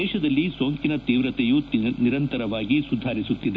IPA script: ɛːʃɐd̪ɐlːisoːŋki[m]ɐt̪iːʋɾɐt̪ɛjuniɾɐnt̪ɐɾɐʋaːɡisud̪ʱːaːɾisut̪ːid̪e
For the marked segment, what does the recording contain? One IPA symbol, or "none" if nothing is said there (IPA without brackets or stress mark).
n